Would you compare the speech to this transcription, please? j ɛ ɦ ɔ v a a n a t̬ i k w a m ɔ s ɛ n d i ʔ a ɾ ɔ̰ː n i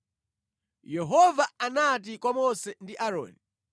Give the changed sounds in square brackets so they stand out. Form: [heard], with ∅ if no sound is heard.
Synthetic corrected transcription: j ɛ ɦ ɔ v a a n a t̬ i k w a m ɔ s ɛ n d i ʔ a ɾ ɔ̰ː n i